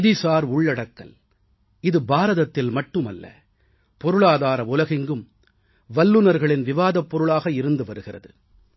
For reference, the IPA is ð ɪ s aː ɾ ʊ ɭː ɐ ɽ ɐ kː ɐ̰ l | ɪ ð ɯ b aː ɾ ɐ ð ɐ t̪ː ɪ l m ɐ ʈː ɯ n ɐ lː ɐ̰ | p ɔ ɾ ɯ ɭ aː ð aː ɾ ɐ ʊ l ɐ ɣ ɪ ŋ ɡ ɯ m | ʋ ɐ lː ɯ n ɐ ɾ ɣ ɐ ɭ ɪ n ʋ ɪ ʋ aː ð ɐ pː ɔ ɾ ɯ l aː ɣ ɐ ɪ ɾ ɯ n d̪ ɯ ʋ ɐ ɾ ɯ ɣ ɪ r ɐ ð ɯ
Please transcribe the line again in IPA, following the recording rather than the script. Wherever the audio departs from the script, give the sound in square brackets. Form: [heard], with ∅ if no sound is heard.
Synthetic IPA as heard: ð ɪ s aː ɾ ʊ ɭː ɐ ɽ ɐ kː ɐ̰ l | ɪ ð ɯ b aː ɾ ɐ ð ɐ t̪ː ɪ l m ɐ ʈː ɯ [m] ɐ lː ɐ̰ | p ɔ ɾ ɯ ɭ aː ð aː ɾ ɐ ʊ l ɐ ɣ ɪ ŋ ɡ ɯ m | ʋ ɐ lː ɯ n ɐ ɾ ɣ ɐ ɭ ɪ n ʋ ɪ ʋ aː ð ɐ pː ɔ ɾ ɯ [ɭ] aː ɣ ɐ ɪ ɾ ɯ n d̪ ɯ ʋ ɐ ɾ ɯ ɣ ɪ r ɐ ð ɯ